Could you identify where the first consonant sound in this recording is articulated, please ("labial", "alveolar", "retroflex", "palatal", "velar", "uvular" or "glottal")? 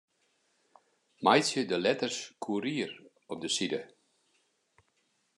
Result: labial